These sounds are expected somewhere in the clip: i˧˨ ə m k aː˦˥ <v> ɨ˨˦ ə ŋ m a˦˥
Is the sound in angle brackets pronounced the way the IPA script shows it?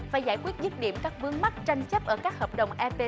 yes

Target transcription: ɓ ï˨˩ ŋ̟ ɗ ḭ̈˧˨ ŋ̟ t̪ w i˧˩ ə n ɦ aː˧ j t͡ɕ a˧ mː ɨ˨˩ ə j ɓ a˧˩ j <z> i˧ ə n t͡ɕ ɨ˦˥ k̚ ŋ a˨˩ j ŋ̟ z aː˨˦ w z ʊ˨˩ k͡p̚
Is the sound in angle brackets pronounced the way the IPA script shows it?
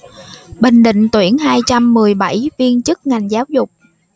no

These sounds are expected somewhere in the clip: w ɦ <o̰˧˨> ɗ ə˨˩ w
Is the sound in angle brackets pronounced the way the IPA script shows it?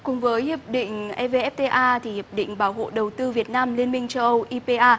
yes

